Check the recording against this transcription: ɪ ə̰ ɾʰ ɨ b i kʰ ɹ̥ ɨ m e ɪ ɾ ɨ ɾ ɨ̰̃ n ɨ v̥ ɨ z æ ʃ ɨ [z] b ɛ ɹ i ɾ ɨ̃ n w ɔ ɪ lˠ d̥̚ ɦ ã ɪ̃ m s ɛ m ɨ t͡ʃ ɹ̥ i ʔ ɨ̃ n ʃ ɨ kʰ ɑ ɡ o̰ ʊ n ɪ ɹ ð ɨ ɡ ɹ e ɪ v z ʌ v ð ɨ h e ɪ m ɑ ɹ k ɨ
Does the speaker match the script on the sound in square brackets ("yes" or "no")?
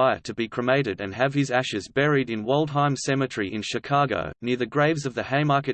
yes